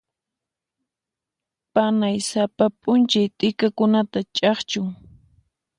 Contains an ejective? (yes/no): yes